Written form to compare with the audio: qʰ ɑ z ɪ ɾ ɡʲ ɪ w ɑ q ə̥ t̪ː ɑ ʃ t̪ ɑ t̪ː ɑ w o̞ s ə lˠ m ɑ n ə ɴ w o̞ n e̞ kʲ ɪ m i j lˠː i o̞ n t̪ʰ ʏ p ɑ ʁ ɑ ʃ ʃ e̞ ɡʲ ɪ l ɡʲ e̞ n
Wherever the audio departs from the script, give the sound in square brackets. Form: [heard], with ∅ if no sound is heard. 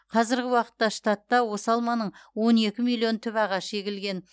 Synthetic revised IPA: qʰ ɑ z ɪ ɾ ɡʲ ɪ w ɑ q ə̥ t̪ː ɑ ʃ t̪ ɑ t̪ː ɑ w o̞ s [ɑ] lˠ m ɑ n ə ɴ w o̞ n e̞ kʲ ɪ m i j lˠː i o̞ n t̪ʰ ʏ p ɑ ʁ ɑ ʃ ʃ e̞ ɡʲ ɪ l ɡʲ e̞ n